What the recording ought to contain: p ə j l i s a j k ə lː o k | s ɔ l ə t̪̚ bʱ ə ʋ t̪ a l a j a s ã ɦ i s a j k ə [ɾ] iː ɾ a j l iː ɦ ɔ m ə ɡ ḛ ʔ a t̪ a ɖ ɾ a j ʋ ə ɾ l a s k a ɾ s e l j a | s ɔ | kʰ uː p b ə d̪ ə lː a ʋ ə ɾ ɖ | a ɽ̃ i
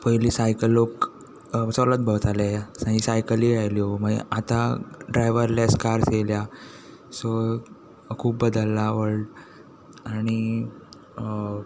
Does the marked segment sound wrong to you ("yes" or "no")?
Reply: yes